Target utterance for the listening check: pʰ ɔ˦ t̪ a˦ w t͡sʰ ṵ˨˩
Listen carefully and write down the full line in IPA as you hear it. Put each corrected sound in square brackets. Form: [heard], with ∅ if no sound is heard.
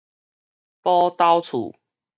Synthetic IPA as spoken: [p] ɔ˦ t̪ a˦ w t͡sʰ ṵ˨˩